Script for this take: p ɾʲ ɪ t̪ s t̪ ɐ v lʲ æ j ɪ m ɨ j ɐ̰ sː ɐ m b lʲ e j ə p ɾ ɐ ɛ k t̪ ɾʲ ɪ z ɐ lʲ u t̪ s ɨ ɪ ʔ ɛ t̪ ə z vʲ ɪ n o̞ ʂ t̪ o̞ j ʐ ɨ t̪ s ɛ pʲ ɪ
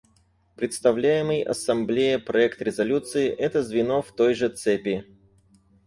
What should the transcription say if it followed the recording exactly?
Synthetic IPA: p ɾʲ ɪ t̪ s t̪ ɐ v lʲ æ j ɪ m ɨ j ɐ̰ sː ɐ m b lʲ e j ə p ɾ ɐ ɛ k t̪ ɾʲ ɪ z ɐ lʲ u t̪ s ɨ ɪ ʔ ɛ t̪ ə z vʲ ɪ n o̞ f t̪ o̞ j ʐ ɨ t̪ s ɛ pʲ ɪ